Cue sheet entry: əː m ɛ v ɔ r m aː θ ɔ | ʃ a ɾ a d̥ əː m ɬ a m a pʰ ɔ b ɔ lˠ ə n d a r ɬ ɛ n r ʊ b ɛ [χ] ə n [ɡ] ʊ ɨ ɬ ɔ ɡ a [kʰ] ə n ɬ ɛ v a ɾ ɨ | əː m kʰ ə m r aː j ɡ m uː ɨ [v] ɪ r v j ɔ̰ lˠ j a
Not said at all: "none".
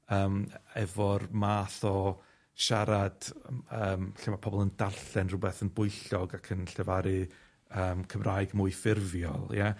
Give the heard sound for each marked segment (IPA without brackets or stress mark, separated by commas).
θ, b, kʰ, f